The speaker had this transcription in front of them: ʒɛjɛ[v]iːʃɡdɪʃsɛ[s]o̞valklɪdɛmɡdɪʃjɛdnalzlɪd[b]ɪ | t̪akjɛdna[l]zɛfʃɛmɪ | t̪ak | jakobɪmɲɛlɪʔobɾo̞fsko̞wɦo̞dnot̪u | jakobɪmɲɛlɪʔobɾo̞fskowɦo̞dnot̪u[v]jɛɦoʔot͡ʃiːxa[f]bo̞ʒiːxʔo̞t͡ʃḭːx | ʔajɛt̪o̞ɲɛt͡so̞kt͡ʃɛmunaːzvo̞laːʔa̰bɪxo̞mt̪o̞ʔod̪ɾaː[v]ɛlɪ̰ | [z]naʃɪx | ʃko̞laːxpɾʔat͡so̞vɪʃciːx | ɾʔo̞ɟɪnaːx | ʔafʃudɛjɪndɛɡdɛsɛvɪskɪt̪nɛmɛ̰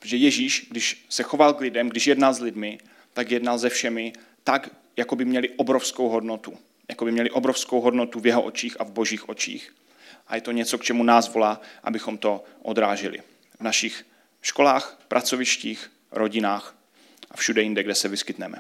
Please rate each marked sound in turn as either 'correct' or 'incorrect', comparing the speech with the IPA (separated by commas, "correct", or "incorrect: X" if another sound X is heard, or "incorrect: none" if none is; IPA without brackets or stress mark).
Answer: incorrect: ʒ, incorrect: x, incorrect: m, correct, correct, incorrect: v, incorrect: ʒ, incorrect: v